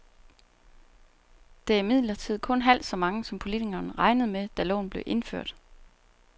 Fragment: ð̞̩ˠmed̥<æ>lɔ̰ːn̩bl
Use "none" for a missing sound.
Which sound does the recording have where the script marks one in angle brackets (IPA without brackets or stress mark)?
æ